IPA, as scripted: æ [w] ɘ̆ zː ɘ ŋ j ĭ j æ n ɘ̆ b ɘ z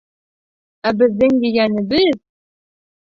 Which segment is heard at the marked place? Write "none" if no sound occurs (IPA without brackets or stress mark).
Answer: b